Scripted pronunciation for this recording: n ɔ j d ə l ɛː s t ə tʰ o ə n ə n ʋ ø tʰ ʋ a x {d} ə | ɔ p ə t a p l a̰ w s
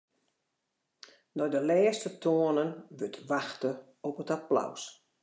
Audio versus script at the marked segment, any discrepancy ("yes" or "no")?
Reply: yes